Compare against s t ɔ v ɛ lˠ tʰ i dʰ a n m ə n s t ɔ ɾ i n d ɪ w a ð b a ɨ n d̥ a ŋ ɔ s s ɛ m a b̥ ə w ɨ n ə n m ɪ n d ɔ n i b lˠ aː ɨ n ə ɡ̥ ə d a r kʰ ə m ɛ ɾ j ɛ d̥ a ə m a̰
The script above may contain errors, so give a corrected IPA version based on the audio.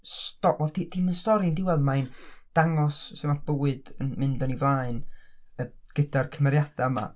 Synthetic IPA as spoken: s t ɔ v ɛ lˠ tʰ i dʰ i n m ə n s t ɔ ɾ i n d ɪ w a ð m a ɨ n d̥ a ŋ ɔ s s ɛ m a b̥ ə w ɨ d ə n m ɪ n d ɔ n i v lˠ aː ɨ n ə ɡ̥ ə d a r kʰ ə m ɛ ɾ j a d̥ a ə m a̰